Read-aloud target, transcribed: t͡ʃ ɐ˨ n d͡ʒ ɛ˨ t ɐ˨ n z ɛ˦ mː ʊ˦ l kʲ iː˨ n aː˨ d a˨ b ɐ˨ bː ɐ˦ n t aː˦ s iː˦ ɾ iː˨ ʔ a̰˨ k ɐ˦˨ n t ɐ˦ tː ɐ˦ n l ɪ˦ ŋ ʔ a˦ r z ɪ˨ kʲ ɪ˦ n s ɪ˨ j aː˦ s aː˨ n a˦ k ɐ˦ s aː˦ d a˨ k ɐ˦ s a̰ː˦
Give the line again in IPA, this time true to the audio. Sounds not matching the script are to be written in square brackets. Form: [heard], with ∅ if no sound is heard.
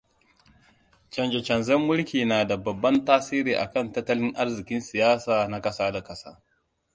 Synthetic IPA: t͡ʃ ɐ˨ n d͡ʒ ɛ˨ [t͡ʃ] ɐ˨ n z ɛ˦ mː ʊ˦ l kʲ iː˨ n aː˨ d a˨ b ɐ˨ bː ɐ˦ n t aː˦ s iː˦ ɾ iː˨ ʔ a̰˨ k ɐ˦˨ n t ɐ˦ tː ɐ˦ [∅] l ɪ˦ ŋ ʔ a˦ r z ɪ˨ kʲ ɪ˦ n s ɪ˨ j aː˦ s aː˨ n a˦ k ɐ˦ s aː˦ d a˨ k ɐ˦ s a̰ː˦